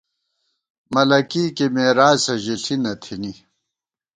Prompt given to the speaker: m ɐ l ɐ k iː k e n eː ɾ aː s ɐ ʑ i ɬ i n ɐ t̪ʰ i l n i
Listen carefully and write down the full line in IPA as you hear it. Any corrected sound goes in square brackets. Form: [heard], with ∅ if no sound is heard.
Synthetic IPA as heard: m ɐ l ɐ k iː k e [m] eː ɾ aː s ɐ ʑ i ɬ i n ɐ t̪ʰ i [∅] n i